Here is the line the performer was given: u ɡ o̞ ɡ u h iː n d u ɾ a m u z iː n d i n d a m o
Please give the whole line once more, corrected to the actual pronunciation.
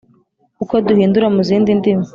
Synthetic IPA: u k o̞ d u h iː n d u ɾ a m u z iː n d i n d i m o